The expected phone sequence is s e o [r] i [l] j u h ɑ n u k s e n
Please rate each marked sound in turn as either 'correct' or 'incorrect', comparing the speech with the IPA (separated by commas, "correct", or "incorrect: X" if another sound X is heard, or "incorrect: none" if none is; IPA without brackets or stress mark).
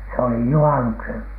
incorrect: l, incorrect: none